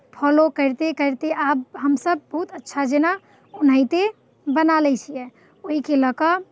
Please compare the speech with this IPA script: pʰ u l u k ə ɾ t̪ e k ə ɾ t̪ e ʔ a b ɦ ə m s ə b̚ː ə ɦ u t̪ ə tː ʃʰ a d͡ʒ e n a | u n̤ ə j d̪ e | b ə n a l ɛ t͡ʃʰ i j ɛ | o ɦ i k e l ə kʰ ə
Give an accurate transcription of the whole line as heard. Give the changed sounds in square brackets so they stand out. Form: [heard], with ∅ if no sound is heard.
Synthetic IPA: pʰ [ɔ] l [o] k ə ɾ t̪ e k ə ɾ t̪ e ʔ a b ɦ ə m s ə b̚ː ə ɦ u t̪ ə tː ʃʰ a d͡ʒ e n a | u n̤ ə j [t̪] e | b ə n a l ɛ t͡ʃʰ i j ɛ | o ɦ i k e l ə [k] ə